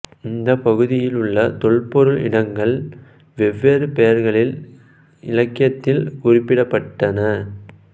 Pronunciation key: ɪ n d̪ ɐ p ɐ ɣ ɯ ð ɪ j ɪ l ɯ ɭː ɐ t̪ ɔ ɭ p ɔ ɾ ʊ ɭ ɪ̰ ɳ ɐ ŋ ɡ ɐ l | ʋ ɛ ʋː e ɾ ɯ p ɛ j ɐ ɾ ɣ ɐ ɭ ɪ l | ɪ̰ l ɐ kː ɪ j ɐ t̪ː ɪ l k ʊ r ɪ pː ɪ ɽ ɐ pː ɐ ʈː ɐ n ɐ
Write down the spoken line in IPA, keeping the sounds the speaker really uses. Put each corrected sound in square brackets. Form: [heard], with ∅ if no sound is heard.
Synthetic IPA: ɪ n d̪ ɐ p ɐ ɣ ɯ ð ɪ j ɪ l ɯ ɭː ɐ t̪ ɔ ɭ p ɔ ɾ [ɯ] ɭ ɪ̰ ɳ ɐ ŋ ɡ ɐ [ɭ] | ʋ ɛ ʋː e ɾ ɯ p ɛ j ɐ ɾ ɣ ɐ ɭ ɪ l | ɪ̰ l ɐ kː ɪ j ɐ t̪ː ɪ l k ʊ r ɪ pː ɪ ɽ ɐ pː ɐ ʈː ɐ n ɐ